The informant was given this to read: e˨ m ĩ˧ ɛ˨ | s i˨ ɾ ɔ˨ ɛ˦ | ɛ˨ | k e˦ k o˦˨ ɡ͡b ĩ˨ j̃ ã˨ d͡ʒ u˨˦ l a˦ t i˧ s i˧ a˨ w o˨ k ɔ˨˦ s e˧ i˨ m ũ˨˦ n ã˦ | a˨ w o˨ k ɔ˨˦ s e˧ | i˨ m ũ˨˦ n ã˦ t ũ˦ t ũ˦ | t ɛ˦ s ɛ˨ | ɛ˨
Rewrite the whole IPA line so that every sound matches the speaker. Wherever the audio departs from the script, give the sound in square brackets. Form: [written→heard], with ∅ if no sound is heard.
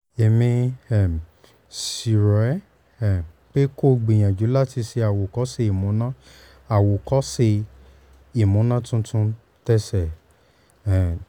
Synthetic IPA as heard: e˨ m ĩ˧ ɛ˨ | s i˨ ɾ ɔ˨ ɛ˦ | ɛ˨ | [k→k͡p] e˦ k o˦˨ ɡ͡b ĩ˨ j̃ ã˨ d͡ʒ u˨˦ l a˦ t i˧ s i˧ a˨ w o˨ k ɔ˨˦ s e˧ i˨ m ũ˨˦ n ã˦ | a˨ w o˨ k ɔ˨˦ s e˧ | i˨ m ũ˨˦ n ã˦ t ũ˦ t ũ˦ | t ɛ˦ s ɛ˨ | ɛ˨